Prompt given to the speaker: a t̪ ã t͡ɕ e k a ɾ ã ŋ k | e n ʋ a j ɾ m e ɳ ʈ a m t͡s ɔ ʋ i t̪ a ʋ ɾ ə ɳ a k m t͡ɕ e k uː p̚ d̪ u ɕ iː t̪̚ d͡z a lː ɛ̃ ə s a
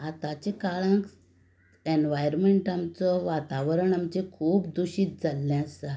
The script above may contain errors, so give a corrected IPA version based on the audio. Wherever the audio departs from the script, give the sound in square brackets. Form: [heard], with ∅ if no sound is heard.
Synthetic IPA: a t̪ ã t͡ɕ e k a [ɭ] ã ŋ k | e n ʋ a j ɾ m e ɳ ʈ a m t͡s ɔ ʋ [a] t̪ a ʋ ɾ ə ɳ a [∅] m t͡ɕ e [kʰ] uː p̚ d̪ u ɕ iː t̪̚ d͡z a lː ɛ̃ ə s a

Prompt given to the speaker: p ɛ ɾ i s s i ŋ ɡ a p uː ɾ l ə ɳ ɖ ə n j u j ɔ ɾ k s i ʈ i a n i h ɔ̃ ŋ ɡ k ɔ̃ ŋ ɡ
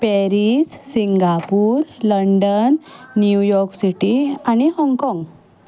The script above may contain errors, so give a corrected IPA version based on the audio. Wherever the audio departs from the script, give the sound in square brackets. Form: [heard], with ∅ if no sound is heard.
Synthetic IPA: p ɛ ɾ i s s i ŋ ɡ a p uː ɾ l ə ɳ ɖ ə [nː] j u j ɔ ɾ k s i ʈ i a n i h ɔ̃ ŋ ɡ k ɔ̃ ŋ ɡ

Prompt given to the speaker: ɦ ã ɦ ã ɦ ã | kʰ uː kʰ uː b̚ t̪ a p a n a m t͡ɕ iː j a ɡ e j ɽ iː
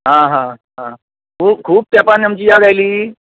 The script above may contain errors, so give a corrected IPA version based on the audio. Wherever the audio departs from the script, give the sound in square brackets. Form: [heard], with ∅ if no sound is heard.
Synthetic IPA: ɦ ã ɦ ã ɦ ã | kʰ uː kʰ uː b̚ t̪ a p a n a m t͡ɕ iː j a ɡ [a] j [l] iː

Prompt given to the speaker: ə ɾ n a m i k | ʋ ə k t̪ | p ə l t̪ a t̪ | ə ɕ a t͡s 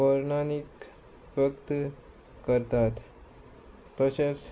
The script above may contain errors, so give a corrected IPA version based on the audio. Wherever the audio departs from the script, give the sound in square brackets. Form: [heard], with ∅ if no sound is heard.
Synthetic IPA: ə ɾ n a [n] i k | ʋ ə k t̪ | [k] ə [ɾ] t̪ a t̪ | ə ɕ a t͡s

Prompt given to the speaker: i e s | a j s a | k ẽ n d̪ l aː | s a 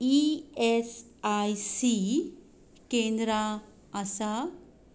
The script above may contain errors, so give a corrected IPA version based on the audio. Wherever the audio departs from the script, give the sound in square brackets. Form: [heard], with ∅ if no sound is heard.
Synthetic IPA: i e s | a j s [i] | k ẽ n d̪ [ɾ] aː | s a

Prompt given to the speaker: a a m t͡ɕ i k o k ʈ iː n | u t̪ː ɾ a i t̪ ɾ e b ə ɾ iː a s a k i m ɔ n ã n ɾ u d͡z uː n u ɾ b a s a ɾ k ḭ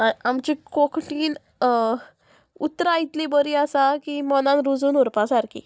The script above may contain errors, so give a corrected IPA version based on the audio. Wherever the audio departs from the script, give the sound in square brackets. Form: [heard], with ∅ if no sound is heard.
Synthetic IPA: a a m t͡ɕ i k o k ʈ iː n | u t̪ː ɾ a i t̪ [l] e b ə ɾ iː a s a k i m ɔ n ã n ɾ u d͡z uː n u ɾ [p] a s a ɾ k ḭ

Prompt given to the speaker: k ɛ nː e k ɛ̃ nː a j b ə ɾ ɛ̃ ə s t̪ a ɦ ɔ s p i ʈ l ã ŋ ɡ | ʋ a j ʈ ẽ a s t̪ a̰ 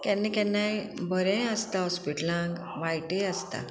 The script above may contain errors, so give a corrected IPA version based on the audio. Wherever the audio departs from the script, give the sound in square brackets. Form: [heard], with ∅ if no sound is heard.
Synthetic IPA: k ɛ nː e k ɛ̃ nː a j b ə ɾ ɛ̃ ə s t̪ a ɦ ɔ s p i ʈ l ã ŋ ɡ | ʋ a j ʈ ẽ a s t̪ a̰

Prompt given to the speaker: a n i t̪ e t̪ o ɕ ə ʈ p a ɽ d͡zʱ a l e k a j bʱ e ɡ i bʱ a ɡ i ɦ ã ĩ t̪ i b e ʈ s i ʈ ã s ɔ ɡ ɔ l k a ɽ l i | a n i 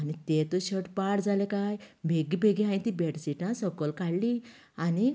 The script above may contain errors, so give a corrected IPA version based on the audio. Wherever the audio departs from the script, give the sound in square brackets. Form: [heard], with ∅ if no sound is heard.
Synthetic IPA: a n i t̪ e t̪ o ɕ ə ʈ p a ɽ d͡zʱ a l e k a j bʱ e ɡ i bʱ [e] ɡ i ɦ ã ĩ t̪ i b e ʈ s i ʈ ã s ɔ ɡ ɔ l k a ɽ l i | a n i

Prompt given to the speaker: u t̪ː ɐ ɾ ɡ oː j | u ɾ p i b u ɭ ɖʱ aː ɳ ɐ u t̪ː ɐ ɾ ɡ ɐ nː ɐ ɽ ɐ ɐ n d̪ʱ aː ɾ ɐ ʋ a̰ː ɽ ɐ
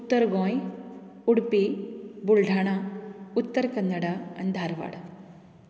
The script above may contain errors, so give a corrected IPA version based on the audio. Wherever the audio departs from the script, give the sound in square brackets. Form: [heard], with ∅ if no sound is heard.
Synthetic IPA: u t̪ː ɐ ɾ ɡ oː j | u [ɽ] p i b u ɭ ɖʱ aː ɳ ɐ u t̪ː ɐ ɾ [k] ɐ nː ɐ ɽ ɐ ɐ n d̪ʱ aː ɾ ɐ ʋ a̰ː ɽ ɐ

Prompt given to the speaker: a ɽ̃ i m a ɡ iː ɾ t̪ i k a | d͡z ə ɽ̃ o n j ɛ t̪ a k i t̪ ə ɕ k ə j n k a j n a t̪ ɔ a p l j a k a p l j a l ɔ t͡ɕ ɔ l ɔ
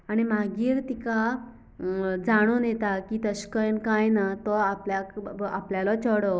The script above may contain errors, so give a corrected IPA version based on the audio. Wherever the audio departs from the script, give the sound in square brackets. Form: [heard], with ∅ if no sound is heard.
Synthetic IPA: a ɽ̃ i m a ɡ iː ɾ t̪ i k a | d͡z [a] ɽ̃ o n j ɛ t̪ a k i t̪ ə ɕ k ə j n k a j n a t̪ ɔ a p l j a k a p l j a l ɔ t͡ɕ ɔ [ɽ] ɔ

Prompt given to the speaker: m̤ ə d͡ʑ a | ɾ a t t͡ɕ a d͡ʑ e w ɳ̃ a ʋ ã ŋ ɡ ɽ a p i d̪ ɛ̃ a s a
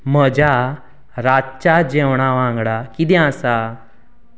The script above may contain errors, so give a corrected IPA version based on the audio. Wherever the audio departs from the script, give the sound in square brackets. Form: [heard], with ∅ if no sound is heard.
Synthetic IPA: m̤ ə d͡ʑ a | ɾ a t t͡ɕ a d͡ʑ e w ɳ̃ a ʋ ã ŋ ɡ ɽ a [k] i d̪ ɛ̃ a s a

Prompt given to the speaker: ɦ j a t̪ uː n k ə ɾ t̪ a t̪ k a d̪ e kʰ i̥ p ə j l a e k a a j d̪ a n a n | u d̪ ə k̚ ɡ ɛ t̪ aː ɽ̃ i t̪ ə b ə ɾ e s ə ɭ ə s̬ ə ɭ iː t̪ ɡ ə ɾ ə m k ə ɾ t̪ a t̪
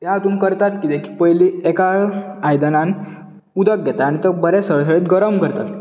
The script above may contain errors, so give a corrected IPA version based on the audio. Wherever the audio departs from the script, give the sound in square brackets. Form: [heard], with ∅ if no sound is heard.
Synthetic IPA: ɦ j a t̪ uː n k ə ɾ t̪ a t̪ k [i] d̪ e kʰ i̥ p ə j l [i] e k a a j d̪ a n a n | u d̪ ə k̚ ɡ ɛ t̪ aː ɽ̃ i t̪ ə b ə ɾ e s ə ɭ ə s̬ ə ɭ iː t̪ ɡ ə ɾ ə m k ə ɾ t̪ a t̪

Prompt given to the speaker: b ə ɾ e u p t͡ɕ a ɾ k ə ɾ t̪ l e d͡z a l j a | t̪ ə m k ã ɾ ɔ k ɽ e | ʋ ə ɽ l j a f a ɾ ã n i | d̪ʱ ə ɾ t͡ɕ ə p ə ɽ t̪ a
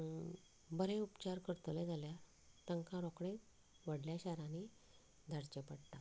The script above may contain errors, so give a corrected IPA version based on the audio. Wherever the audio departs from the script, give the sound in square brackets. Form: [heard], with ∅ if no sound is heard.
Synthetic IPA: b ə ɾ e u p t͡ɕ a ɾ k ə ɾ t̪ l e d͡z a l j a | t̪ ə [ŋ] k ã ɾ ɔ k ɽ e | ʋ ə ɽ l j a [ɕ] a ɾ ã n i | d̪ʱ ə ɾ t͡ɕ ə p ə ɽ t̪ a

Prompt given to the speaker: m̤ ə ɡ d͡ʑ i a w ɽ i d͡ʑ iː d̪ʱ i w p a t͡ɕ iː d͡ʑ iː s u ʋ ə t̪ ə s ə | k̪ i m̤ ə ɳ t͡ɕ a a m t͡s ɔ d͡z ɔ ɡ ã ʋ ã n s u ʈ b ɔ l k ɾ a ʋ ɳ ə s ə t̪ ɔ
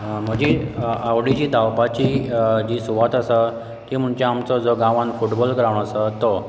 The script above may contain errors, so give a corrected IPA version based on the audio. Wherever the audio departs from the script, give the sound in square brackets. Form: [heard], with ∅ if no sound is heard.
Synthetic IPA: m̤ ə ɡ d͡ʑ i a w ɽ i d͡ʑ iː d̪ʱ [a] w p a t͡ɕ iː d͡ʑ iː s u ʋ [a] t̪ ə s ə | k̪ i m̤ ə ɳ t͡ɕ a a m t͡s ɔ d͡z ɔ ɡ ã ʋ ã n [f] u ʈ b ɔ l k ɾ a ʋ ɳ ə s ə t̪ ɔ

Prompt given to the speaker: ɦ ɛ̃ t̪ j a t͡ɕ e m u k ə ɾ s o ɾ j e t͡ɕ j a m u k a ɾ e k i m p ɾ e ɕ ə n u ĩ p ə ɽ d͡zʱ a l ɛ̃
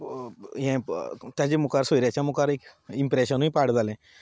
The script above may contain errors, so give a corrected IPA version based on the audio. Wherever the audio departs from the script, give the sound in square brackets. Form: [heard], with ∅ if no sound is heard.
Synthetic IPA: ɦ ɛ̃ t̪ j a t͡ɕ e m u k [a] ɾ s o ɾ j [a] t͡ɕ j a m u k a ɾ e k i m p ɾ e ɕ ə n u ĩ p [a] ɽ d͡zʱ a l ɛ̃

